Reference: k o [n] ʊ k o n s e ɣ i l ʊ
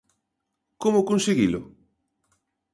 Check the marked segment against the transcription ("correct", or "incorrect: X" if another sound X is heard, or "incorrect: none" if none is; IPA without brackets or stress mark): incorrect: m